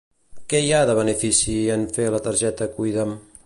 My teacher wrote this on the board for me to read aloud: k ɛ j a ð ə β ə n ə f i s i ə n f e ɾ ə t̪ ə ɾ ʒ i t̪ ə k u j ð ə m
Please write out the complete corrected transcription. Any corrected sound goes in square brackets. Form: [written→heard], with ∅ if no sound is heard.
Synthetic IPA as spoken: k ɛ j a ð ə β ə n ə f i s i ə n f e [ɾ→l] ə t̪ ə ɾ ʒ [i→ɛ] t̪ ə k u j ð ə m